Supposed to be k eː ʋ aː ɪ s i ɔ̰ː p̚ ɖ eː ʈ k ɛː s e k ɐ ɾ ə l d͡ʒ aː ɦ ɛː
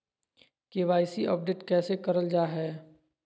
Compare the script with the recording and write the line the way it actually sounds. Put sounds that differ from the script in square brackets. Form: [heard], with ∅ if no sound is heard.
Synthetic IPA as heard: k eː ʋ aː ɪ s i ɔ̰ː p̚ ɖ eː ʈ k ɛː s e k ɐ ɾ ə l d͡ʒ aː ɦ ɛː